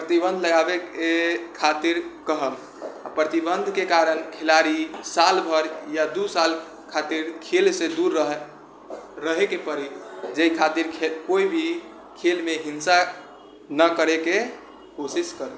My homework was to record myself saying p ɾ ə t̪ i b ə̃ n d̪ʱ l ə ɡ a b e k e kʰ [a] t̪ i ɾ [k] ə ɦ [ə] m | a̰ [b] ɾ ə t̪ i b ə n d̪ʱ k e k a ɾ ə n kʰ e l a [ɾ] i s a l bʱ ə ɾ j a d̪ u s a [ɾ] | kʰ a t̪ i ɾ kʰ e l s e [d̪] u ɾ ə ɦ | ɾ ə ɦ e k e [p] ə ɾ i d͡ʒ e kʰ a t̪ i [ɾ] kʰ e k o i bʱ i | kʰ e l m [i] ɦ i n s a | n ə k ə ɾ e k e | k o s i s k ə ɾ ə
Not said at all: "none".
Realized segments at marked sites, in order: a, k, ə, p, ɾ, l, d̪, p, ɾ, e

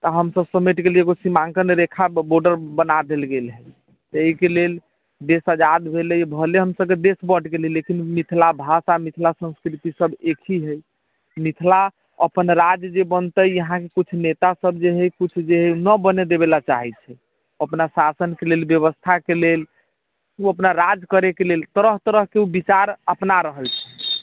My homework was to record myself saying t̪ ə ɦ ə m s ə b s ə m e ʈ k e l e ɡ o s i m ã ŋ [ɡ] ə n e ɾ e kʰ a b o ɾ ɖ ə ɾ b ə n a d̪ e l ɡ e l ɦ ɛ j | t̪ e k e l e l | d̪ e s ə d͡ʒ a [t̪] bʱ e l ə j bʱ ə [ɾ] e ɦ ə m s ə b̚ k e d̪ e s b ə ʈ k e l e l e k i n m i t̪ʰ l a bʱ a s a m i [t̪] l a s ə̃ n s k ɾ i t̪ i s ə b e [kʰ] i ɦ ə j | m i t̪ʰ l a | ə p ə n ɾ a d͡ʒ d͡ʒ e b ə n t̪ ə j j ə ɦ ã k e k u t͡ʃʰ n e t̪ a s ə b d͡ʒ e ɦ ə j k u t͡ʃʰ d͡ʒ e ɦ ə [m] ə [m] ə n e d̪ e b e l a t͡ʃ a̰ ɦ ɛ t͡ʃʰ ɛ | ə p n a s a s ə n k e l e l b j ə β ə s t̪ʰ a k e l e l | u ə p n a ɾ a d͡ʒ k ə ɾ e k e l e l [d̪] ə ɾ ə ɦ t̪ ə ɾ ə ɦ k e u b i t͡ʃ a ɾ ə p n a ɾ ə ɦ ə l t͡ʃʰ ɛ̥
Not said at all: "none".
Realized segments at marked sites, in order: k, d̪, l, t̪ʰ, kʰ, n, b, t̪

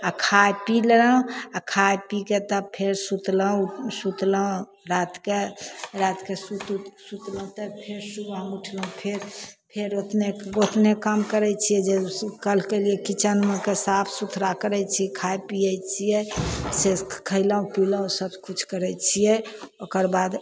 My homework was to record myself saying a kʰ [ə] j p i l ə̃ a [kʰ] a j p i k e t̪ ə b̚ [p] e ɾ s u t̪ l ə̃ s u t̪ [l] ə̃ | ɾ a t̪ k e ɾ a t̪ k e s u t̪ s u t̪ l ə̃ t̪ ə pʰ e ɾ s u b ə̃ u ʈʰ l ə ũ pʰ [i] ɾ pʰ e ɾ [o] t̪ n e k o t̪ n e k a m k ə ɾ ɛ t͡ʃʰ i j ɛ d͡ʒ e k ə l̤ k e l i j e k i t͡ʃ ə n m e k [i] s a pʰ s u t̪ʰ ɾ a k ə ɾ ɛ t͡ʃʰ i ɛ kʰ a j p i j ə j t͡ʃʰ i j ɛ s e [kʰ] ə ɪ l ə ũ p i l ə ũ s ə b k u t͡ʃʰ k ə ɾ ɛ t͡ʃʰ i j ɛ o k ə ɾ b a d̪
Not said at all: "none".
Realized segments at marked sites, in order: a, kʰ, pʰ, l, e, o, e, kʰ

